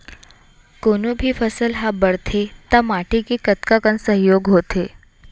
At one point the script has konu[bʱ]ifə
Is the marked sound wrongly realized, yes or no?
no